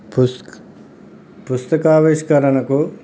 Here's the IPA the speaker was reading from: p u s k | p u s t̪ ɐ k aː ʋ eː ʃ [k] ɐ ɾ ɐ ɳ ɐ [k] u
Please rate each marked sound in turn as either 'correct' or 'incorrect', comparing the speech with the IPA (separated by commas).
correct, correct